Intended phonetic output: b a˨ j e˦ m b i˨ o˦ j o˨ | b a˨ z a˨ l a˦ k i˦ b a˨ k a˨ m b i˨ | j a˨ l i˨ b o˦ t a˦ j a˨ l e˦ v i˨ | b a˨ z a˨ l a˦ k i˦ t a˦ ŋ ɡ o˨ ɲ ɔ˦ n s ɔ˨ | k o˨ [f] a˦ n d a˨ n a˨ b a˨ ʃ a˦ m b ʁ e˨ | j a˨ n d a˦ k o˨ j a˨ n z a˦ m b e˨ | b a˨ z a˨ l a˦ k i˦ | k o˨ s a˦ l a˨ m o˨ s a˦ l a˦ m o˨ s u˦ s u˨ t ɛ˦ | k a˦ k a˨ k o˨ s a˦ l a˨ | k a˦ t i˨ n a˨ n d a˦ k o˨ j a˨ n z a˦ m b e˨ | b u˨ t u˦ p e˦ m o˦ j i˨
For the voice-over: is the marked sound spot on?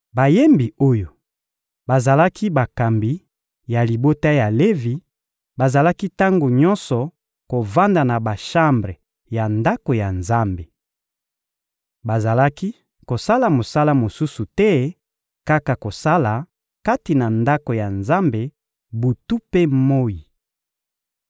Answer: no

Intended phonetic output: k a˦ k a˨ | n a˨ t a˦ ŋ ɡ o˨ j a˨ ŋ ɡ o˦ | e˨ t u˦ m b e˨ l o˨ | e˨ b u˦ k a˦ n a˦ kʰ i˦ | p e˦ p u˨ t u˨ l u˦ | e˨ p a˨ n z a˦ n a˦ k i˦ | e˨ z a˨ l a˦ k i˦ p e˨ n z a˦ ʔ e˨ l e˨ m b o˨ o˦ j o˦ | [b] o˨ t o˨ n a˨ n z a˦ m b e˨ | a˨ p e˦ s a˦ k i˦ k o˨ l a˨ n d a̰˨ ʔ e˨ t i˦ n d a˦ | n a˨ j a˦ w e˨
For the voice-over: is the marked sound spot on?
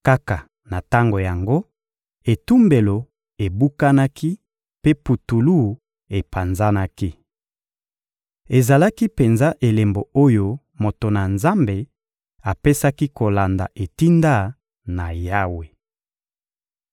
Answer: no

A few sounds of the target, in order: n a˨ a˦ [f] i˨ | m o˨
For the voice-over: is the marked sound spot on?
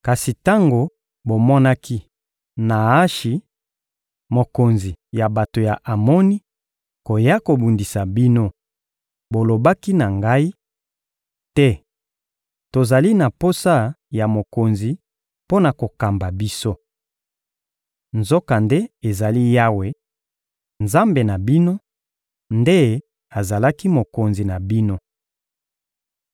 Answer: no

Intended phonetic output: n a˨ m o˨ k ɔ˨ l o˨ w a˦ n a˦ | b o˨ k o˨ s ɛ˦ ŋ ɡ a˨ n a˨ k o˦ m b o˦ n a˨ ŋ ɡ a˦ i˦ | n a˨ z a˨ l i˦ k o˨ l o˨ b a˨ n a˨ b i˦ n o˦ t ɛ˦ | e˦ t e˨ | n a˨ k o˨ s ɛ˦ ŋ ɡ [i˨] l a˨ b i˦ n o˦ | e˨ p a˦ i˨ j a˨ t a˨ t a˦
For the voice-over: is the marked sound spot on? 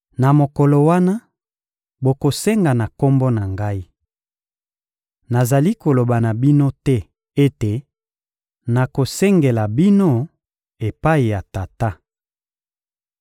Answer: no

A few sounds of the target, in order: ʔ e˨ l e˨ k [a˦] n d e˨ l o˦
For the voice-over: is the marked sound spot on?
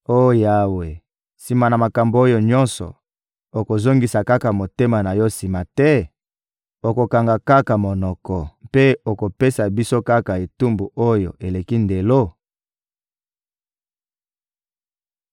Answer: no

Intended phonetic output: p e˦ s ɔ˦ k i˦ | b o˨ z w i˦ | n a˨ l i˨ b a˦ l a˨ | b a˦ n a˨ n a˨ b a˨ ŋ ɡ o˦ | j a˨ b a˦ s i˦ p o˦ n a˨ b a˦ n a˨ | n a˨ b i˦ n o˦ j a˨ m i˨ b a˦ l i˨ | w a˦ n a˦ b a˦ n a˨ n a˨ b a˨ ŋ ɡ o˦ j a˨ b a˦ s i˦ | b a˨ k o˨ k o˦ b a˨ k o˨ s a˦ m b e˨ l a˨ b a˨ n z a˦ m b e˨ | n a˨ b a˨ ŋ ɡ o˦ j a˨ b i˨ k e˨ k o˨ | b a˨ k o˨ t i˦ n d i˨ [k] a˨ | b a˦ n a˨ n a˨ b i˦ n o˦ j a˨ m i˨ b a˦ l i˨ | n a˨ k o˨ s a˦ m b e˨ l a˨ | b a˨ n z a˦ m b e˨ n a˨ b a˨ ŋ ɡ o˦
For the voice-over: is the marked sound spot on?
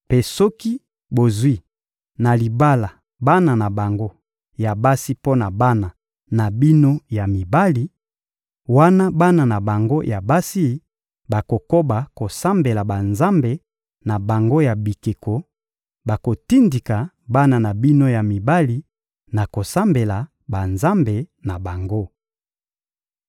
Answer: yes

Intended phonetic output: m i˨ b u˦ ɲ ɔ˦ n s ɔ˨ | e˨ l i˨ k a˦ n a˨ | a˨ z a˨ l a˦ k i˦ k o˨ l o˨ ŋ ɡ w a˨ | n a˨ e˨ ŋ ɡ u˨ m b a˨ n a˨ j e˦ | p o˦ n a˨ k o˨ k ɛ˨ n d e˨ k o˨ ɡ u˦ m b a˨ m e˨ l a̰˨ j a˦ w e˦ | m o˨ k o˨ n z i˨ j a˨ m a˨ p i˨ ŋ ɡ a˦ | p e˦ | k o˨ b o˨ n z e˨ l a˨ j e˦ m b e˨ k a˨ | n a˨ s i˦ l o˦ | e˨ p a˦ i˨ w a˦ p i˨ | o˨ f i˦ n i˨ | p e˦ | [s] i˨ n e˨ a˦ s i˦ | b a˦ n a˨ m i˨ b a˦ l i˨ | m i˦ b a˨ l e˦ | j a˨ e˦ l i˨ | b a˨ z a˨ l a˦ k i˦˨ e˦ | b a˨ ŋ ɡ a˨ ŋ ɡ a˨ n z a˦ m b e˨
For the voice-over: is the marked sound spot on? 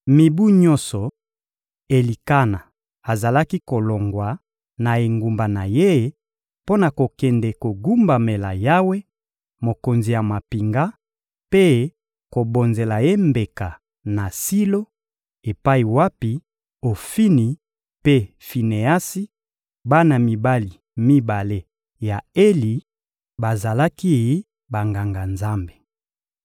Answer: no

